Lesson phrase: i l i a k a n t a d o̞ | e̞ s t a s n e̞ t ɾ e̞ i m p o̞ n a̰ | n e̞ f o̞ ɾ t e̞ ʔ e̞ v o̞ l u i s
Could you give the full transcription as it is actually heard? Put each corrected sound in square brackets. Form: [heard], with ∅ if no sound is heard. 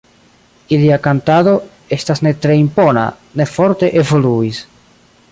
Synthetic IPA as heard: i l i a k a n t a d o̞ | e̞ s t a s n e̞ t ɾ e̞ i m p o̞ n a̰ | n e̞ f o̞ ɾ t e̞ ʔ e̞ v o̞ l u i s